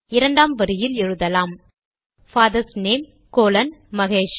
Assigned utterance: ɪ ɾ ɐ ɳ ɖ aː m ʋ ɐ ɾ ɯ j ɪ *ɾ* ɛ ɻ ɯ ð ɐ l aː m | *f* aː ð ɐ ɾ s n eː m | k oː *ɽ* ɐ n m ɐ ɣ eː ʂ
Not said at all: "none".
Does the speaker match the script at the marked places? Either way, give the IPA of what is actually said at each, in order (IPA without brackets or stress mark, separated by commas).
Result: l, f, l